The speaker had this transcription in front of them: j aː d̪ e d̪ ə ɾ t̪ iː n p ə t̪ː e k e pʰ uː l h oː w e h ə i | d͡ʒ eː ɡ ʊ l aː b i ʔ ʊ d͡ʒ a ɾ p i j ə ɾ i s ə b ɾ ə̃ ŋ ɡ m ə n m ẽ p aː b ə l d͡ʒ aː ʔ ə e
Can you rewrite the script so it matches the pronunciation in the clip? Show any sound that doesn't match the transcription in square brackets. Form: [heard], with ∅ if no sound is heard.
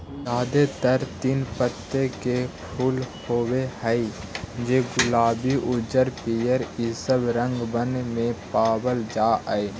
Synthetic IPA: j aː d̪ e [t̪] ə ɾ t̪ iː n p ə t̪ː e k e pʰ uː l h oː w e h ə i | d͡ʒ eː ɡ ʊ l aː b i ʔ ʊ d͡ʒ [ə] ɾ p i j ə ɾ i s ə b ɾ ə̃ ŋ ɡ [b] ə n m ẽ p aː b ə l d͡ʒ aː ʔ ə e